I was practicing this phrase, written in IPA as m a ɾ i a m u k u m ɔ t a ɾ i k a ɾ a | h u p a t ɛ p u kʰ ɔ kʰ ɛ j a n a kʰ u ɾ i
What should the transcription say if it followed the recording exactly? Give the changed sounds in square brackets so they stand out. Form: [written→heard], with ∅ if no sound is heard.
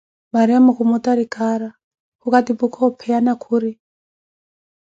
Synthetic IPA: m a ɾ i a m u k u m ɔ t a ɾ i k a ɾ a | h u [p→k] a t [ɛ→i] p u kʰ ɔ [kʰ→pʰ] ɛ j a n a kʰ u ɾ i